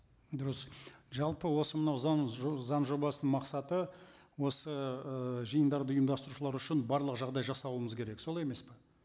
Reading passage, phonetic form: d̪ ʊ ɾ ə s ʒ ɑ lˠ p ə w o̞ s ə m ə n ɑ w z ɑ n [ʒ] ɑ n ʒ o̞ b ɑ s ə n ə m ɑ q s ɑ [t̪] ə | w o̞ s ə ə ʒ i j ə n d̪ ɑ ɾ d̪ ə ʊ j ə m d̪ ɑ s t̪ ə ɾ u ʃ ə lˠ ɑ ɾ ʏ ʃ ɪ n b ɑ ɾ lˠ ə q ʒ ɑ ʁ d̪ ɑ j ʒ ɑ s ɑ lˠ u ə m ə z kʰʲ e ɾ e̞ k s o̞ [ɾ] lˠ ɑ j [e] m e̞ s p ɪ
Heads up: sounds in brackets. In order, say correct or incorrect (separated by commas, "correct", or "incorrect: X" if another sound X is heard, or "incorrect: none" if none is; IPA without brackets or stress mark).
incorrect: z, correct, incorrect: none, correct